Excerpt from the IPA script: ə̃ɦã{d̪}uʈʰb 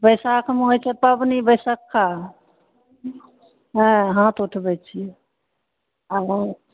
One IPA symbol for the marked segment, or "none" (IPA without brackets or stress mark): t̪